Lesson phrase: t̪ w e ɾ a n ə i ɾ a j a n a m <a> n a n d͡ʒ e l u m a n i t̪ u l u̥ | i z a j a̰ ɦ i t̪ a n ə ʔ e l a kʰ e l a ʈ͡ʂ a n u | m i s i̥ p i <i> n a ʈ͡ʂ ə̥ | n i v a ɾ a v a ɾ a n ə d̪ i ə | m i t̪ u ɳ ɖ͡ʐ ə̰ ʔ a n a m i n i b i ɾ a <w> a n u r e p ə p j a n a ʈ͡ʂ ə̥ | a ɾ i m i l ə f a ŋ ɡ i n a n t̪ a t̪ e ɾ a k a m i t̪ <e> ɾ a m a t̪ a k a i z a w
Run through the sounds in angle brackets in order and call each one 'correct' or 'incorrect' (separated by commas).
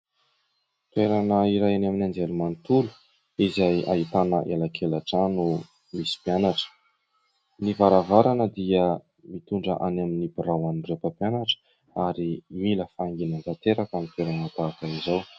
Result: incorrect, incorrect, correct, correct